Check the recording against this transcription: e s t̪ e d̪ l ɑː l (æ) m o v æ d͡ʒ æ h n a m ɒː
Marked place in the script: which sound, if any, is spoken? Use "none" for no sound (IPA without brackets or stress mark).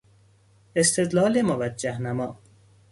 e